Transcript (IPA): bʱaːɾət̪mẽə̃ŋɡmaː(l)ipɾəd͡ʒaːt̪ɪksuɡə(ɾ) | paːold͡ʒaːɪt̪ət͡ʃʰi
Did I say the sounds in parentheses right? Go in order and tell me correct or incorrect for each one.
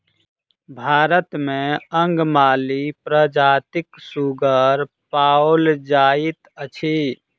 correct, correct

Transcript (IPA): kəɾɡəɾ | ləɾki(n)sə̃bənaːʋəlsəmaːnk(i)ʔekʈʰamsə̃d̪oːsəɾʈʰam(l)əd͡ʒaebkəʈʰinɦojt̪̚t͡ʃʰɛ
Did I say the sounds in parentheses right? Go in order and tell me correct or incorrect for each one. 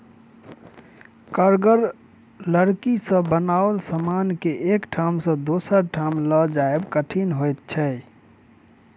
incorrect: none, incorrect: e, correct

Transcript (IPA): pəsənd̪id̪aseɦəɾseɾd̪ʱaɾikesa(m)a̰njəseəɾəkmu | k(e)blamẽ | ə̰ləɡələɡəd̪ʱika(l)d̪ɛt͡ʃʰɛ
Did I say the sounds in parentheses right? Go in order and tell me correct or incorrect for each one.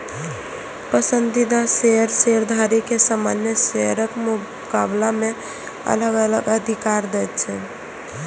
correct, incorrect: a, incorrect: ɾ

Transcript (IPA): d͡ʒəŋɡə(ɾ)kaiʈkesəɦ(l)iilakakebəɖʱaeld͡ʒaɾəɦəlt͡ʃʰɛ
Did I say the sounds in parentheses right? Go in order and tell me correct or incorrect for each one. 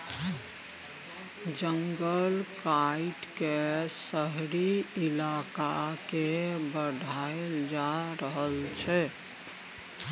incorrect: l, incorrect: ɾ

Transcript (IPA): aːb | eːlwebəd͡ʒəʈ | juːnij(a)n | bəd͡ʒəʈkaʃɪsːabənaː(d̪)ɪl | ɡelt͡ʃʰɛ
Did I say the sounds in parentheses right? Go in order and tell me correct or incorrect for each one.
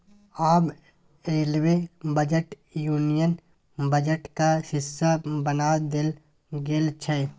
incorrect: ə, correct

